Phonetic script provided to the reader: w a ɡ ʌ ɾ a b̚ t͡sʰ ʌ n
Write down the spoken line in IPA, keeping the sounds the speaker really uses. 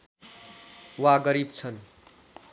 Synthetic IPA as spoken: w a ɡ ʌ ɾ i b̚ t͡sʰ ʌ n